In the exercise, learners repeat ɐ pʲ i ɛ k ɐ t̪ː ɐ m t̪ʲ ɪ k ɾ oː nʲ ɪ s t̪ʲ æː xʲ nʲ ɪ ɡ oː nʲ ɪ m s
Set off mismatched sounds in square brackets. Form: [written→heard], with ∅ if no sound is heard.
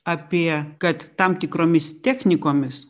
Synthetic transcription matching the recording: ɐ pʲ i ɛ k ɐ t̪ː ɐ m t̪ʲ ɪ k ɾ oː [nʲ→mʲ] ɪ s t̪ʲ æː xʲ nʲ ɪ [ɡ→k] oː [nʲ→mʲ] ɪ [m→∅] s